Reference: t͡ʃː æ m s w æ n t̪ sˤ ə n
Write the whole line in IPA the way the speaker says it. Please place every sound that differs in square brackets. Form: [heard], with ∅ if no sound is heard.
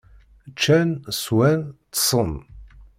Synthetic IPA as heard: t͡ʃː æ [n] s w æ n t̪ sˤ ə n